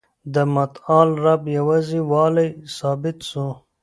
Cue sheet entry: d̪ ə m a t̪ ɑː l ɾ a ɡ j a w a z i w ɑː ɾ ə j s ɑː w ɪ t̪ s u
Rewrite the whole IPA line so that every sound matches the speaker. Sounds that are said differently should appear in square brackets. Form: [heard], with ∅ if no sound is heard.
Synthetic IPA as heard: d̪ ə m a t̪ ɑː l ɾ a [b] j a w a z i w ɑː [l] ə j s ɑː [b] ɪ t̪ s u